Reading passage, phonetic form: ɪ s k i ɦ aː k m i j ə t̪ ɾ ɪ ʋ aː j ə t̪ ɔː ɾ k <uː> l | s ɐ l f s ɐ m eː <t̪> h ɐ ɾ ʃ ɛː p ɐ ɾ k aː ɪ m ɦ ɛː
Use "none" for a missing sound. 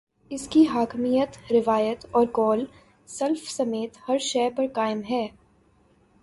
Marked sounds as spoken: ɔː, t̪

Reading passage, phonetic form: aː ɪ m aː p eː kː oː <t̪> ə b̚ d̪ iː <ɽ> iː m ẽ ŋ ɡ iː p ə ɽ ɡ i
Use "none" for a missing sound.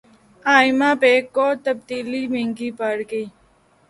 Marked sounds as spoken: t̪, l

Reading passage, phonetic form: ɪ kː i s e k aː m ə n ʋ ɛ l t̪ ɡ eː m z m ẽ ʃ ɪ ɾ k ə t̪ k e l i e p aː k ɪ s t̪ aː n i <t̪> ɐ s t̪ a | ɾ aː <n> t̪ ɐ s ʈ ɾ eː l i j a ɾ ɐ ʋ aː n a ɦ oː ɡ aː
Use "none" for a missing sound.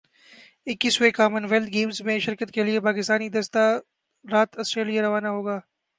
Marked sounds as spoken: d̪, none

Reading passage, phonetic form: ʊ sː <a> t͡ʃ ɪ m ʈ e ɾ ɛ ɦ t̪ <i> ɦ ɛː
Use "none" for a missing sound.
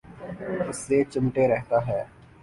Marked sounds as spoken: e, a

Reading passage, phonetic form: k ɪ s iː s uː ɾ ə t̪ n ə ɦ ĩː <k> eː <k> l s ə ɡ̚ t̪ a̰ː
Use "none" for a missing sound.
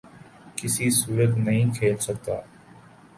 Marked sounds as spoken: kʰ, none

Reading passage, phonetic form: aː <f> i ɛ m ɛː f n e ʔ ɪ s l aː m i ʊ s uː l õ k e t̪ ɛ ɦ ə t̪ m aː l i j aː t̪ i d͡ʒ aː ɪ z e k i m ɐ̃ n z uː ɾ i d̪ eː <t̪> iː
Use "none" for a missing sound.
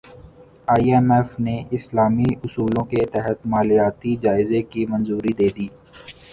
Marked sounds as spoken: none, d̪

